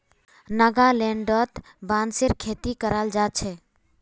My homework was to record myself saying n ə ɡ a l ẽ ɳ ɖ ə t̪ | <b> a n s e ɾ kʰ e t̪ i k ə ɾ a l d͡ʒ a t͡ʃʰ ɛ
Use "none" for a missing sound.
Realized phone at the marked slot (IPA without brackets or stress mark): b